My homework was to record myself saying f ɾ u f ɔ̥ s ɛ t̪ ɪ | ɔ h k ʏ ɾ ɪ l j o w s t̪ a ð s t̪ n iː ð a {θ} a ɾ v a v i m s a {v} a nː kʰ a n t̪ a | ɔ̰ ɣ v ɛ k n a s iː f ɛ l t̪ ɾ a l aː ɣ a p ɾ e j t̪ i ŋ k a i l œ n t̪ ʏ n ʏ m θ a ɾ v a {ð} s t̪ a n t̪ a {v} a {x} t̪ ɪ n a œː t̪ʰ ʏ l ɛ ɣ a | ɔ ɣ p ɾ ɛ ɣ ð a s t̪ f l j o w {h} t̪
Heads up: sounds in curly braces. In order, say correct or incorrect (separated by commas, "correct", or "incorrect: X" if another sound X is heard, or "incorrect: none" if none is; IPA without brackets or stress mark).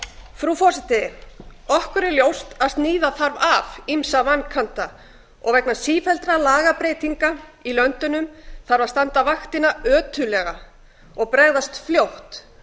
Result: correct, correct, correct, correct, correct, correct